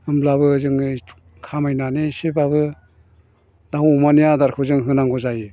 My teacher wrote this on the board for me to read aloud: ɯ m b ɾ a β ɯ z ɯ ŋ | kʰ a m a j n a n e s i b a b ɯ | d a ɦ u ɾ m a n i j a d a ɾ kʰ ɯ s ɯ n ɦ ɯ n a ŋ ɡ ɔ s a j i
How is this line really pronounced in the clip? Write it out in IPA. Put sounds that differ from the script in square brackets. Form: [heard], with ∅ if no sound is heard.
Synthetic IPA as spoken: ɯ m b [l] a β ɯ z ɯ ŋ | kʰ a m a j n a n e s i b a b ɯ | d a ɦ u [∅] m a n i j a d a ɾ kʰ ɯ [z] ɯ [ŋ] ɦ ɯ n a ŋ ɡ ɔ [z] a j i